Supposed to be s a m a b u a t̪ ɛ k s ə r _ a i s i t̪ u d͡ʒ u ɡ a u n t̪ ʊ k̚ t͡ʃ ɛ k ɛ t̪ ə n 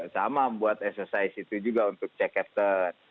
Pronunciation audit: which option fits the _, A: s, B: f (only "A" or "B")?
A